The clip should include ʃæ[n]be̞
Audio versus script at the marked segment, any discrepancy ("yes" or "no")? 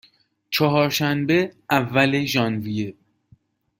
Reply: no